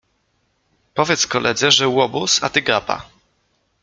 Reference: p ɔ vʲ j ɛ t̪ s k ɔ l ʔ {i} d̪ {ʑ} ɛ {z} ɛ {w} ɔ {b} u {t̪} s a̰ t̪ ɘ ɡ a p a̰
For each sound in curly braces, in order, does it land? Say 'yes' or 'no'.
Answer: no, no, no, yes, yes, no

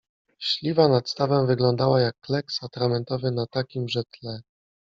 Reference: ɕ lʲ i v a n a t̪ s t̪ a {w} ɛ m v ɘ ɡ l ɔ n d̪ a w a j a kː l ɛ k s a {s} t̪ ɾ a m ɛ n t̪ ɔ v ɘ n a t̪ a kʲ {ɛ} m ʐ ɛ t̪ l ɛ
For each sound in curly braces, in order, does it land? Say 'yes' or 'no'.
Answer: no, no, no

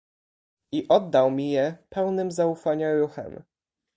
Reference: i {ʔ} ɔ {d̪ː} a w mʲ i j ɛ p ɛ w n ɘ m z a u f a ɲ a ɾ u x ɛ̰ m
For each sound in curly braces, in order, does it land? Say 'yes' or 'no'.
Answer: yes, yes

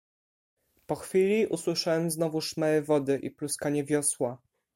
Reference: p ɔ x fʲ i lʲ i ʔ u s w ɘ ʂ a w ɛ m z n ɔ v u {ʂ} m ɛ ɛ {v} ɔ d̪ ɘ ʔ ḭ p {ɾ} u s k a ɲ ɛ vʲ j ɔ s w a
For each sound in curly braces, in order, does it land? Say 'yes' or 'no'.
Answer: yes, yes, no

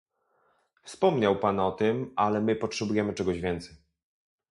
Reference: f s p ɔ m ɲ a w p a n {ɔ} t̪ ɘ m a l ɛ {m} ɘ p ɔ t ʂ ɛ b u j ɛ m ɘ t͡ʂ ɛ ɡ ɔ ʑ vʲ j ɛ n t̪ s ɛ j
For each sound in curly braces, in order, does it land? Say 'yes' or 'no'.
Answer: yes, yes

